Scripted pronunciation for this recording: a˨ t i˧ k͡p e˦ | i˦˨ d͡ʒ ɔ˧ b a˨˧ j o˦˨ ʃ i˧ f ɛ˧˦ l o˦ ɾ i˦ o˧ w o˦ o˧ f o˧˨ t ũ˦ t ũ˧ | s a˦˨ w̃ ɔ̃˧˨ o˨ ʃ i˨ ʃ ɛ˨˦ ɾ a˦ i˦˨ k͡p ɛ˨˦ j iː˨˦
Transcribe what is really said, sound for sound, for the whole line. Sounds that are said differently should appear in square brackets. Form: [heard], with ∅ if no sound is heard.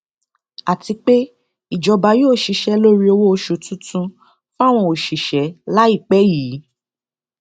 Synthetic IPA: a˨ t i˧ k͡p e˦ | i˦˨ d͡ʒ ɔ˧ b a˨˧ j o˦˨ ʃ i˧ [ʃ] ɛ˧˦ l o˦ ɾ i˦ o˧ w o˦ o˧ [ʃ] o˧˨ t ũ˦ t ũ˧ | [f] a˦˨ w̃ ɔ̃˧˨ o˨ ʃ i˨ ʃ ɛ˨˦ [l] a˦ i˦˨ k͡p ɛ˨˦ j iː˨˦